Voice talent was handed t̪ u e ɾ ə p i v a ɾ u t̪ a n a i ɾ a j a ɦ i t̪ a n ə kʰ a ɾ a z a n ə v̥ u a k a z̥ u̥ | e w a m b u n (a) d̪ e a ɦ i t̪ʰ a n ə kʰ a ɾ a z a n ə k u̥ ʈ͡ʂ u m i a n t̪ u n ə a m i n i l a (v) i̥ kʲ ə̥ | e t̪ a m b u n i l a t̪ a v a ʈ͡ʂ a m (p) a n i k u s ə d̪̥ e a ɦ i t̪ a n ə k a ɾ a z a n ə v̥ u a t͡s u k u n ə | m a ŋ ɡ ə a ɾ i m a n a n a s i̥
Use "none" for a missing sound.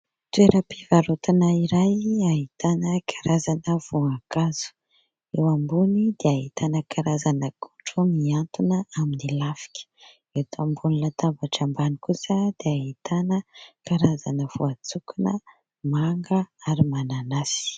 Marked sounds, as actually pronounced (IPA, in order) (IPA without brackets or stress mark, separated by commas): i, f, b